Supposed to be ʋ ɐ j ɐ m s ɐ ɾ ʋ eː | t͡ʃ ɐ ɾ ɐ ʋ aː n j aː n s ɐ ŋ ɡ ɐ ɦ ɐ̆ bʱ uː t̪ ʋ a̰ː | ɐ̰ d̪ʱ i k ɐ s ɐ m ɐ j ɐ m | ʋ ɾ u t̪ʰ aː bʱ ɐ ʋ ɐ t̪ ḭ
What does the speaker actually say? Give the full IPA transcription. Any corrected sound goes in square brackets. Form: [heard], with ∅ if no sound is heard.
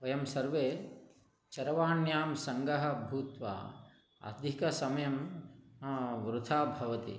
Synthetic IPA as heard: ʋ ɐ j ɐ m s ɐ ɾ ʋ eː | t͡ʃ ɐ ɾ ɐ ʋ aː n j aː [m] s ɐ ŋ ɡ ɐ ɦ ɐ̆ bʱ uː t̪ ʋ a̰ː | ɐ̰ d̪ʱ i k ɐ s ɐ m ɐ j ɐ m | ʋ ɾ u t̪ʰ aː bʱ ɐ ʋ ɐ t̪ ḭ